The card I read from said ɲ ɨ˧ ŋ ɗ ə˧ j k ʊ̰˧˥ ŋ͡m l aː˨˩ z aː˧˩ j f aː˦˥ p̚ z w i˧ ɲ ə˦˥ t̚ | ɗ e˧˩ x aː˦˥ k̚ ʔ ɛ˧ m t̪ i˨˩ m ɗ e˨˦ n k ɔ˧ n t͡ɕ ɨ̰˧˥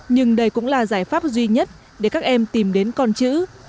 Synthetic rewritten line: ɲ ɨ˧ ŋ ɗ ə˧ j k ʊ̰˧˥ ŋ͡m l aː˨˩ z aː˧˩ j f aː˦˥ p̚ z w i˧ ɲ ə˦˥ t̚ | ɗ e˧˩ k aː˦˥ k̚ ʔ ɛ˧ m t̪ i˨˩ m ɗ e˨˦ n k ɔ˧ n t͡ɕ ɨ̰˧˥